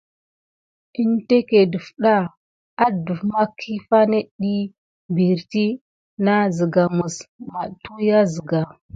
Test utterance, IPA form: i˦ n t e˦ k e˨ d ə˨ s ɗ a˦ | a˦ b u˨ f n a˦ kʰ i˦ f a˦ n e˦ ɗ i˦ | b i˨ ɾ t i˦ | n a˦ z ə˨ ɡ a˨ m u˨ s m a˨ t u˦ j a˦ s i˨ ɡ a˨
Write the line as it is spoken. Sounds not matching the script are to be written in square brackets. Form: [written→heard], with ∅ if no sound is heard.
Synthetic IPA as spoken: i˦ n t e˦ k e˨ d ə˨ [s→f] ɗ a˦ | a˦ [b→d] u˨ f [n→m] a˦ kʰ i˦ f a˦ n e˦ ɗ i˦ | b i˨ ɾ t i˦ | n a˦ z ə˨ ɡ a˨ m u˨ s m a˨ t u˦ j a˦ [s→z] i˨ ɡ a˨